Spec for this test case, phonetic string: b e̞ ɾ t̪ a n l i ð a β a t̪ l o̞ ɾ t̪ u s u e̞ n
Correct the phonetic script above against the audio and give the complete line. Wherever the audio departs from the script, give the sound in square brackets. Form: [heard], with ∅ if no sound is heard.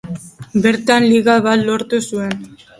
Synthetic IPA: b e̞ ɾ t̪ a n l i [ɣ] a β a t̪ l o̞ ɾ t̪ u s u e̞ n

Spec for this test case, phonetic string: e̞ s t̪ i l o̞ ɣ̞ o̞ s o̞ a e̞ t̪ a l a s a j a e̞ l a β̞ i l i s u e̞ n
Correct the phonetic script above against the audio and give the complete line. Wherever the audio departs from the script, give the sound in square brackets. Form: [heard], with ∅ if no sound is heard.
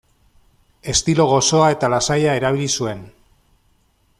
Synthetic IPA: e̞ s t̪ i l o̞ ɣ̞ o̞ s o̞ a e̞ t̪ a l a s a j a e̞ [ɾ] a β̞ i l i s u e̞ n

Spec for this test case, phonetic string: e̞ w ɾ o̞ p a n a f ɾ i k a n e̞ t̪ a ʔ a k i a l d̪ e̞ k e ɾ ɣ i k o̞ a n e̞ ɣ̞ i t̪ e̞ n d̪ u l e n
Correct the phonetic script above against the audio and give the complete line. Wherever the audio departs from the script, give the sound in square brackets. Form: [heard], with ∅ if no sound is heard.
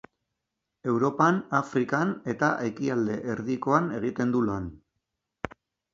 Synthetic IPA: e̞ w ɾ o̞ p a n a f ɾ i k a n e̞ t̪ a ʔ [e] k i a l d̪ e̞ [ʔ] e ɾ [ð] i k o̞ a n e̞ ɣ̞ i t̪ e̞ n d̪ u l [a] n

